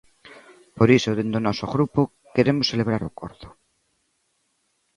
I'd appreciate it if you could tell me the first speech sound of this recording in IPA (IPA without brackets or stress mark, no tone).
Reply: p